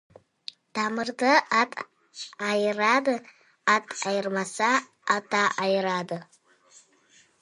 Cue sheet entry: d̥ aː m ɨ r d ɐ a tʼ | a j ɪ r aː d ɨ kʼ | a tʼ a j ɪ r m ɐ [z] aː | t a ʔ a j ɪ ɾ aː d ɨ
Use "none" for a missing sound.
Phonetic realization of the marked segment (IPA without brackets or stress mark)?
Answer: s